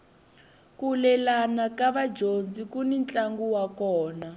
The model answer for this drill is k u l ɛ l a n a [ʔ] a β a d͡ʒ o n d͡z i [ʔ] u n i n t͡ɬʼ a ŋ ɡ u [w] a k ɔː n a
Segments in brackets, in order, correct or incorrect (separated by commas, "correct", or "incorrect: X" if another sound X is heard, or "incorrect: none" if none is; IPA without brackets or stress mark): incorrect: k, incorrect: k, correct